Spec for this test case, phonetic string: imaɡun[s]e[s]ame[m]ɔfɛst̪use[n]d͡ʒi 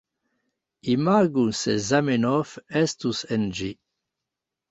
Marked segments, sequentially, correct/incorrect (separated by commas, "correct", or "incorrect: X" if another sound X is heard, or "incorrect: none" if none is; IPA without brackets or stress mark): correct, incorrect: z, incorrect: n, correct